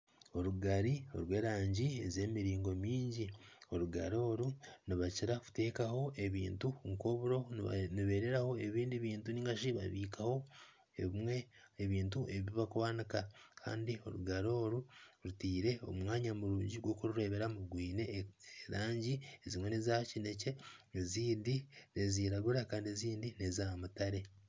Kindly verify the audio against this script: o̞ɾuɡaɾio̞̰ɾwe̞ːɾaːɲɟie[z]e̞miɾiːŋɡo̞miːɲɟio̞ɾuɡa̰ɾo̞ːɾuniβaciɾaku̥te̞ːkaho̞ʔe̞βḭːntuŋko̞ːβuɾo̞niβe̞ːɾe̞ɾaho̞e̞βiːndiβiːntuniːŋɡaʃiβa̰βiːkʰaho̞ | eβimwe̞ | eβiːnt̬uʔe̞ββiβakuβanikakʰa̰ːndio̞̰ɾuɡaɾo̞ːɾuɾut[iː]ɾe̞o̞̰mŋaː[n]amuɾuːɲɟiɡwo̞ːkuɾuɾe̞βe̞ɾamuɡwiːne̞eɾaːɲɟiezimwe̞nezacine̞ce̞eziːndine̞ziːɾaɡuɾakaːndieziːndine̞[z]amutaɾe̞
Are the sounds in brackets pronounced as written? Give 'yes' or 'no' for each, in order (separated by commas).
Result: yes, yes, no, yes